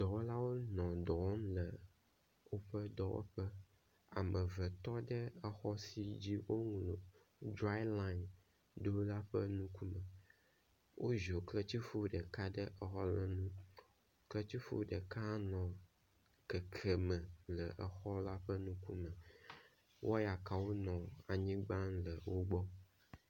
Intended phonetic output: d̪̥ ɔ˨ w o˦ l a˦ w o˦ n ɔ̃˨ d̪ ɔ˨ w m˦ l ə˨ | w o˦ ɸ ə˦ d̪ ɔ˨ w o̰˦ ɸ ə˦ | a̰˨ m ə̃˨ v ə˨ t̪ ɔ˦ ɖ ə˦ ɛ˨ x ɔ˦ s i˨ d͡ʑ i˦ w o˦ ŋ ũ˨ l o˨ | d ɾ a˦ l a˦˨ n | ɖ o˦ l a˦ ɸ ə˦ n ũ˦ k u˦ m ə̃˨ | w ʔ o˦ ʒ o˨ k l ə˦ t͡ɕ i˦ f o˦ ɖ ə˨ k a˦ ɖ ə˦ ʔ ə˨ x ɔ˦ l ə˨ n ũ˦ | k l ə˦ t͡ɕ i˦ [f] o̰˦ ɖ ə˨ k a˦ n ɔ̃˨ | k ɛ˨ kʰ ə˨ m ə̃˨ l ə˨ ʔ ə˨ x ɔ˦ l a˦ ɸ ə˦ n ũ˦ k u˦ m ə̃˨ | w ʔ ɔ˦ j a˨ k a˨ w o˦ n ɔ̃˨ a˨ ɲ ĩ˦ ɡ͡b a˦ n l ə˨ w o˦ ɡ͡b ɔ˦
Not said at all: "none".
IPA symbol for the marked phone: f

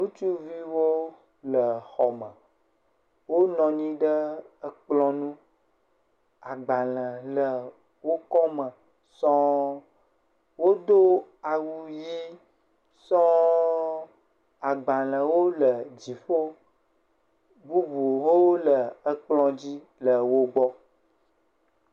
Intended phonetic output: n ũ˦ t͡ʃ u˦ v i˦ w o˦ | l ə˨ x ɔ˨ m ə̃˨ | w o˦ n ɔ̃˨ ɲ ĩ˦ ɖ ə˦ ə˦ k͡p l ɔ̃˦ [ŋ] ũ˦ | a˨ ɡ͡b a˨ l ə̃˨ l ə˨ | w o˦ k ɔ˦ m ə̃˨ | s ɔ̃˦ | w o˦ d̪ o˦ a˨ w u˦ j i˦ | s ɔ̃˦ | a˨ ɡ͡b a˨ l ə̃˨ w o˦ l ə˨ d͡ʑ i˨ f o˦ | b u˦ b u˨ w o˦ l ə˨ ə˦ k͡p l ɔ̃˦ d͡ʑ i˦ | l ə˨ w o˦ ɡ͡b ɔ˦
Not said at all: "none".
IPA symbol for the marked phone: n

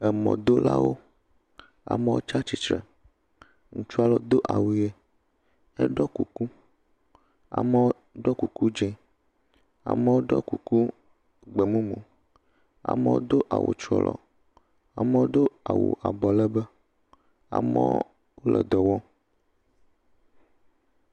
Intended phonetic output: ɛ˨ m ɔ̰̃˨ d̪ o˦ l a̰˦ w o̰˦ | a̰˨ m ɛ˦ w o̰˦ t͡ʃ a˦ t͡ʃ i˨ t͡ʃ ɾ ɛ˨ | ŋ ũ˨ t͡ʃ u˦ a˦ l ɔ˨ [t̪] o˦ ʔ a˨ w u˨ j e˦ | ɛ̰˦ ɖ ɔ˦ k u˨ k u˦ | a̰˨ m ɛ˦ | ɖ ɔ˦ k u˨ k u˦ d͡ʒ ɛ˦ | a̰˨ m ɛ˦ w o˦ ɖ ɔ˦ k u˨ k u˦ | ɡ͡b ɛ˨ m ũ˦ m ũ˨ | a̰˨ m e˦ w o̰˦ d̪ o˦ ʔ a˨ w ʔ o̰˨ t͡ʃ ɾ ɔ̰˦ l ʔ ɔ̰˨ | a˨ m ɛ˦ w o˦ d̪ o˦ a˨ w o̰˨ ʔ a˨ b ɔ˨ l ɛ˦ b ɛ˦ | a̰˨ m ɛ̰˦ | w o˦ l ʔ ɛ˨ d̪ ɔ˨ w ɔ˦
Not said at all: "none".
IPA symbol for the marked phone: d̪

